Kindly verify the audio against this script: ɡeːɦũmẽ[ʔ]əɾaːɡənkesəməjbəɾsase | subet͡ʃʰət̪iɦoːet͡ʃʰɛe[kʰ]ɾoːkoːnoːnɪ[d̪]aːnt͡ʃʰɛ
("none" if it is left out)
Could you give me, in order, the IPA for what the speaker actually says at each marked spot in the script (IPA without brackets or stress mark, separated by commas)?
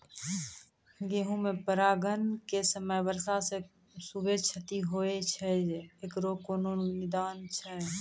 p, k, d̪